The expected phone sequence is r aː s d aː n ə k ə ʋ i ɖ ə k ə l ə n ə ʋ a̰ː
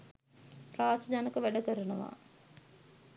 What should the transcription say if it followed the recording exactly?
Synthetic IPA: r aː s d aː n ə k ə ʋ æ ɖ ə k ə ɾ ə n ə ʋ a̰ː